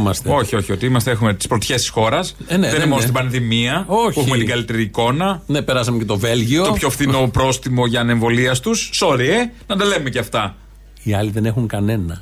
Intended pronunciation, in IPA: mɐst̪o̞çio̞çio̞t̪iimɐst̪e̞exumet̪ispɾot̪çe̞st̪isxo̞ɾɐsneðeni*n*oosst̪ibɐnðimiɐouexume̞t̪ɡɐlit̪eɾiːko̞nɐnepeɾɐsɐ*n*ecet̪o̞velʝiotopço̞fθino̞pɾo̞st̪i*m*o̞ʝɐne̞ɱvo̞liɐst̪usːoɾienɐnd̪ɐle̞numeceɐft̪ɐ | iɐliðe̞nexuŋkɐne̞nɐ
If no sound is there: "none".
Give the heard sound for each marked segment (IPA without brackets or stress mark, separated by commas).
m, m, m